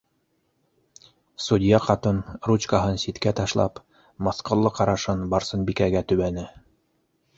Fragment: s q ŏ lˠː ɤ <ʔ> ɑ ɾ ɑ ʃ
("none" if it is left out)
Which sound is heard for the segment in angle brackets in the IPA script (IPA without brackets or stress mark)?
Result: q